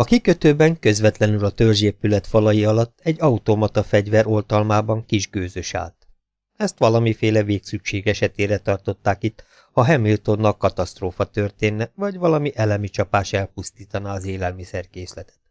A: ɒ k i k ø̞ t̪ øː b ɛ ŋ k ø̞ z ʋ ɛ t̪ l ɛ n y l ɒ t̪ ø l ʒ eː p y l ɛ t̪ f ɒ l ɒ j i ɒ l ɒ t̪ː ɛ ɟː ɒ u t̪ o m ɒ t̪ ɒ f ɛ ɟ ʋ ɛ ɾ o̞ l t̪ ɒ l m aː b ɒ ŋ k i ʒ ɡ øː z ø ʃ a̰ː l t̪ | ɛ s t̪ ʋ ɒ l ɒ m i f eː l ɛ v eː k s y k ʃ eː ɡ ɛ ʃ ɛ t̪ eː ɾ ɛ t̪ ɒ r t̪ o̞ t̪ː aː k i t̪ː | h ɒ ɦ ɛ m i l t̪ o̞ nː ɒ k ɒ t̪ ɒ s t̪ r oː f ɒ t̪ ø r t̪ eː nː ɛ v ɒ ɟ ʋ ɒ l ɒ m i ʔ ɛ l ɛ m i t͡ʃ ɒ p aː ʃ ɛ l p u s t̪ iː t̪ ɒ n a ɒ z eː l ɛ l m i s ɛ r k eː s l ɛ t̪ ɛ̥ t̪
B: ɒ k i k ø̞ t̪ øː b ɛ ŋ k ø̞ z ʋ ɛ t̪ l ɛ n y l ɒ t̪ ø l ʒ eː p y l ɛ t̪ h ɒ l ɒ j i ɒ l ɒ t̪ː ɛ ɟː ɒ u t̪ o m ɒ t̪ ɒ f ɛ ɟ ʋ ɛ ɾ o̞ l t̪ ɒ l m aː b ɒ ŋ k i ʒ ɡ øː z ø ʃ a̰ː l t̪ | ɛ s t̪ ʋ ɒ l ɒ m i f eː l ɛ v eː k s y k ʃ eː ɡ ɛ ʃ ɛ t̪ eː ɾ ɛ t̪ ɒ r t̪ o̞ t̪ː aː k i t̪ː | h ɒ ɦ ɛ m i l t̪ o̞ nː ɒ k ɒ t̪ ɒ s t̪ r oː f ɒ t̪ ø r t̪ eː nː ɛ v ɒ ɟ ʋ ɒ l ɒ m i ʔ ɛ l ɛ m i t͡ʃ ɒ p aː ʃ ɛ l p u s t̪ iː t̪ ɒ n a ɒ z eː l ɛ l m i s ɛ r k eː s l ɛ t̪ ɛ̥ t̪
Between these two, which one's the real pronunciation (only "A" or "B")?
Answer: A